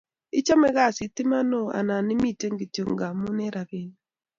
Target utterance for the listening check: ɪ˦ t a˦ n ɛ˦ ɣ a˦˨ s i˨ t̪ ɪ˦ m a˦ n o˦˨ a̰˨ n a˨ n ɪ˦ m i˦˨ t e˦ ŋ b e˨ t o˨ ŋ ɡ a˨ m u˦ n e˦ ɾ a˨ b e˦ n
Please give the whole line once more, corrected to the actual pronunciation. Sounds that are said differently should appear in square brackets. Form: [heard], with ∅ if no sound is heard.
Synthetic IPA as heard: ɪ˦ [t͡ʃ] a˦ [m] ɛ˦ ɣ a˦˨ s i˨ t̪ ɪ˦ m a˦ n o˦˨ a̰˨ n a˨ n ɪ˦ m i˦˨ t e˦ ŋ [ɡ] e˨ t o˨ ŋ ɡ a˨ m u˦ n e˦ ɾ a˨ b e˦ n